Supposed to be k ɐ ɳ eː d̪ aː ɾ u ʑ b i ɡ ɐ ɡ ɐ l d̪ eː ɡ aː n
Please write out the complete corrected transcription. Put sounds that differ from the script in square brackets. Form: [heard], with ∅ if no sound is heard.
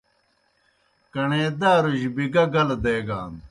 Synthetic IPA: k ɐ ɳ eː d̪ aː ɾ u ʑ b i ɡ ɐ ɡ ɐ l d̪ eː ɡ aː n